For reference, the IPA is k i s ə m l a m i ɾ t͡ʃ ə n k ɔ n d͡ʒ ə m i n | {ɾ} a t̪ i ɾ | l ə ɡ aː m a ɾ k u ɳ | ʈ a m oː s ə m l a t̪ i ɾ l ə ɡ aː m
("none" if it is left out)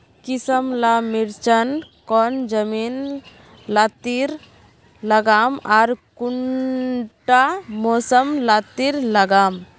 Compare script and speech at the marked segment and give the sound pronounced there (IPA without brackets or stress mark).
l